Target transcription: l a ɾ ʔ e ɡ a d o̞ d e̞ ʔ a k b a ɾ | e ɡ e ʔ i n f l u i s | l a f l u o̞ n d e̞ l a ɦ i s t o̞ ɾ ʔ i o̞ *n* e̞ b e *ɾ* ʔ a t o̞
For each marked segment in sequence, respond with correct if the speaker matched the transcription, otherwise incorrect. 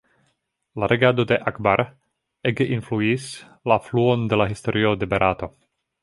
incorrect: d, correct

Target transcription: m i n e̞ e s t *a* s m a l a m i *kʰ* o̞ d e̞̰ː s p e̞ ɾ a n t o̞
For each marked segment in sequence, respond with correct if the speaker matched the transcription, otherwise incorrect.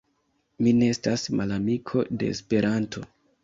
correct, correct

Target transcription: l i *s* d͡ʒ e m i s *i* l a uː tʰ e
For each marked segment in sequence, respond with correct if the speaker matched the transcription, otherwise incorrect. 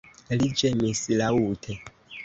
incorrect: none, correct

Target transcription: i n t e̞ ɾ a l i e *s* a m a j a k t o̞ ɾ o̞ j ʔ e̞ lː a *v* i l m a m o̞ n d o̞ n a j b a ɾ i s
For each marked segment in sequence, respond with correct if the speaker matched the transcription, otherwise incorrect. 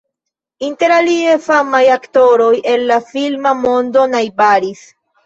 incorrect: f, incorrect: f

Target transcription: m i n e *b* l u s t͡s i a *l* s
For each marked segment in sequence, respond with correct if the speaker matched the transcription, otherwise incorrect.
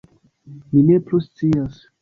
incorrect: p, incorrect: none

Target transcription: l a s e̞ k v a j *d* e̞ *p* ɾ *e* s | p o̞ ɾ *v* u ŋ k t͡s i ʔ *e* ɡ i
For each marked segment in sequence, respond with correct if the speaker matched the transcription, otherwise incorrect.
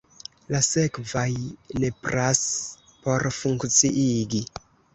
incorrect: n, correct, incorrect: a, incorrect: f, incorrect: i

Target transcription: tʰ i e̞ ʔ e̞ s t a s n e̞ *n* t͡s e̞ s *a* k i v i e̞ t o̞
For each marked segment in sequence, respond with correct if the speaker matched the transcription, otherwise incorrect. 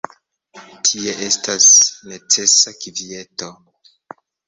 incorrect: none, correct

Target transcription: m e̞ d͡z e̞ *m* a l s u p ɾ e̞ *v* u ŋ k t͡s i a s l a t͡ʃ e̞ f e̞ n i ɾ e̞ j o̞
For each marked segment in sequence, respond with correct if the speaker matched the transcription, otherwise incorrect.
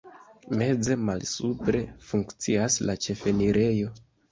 correct, incorrect: f

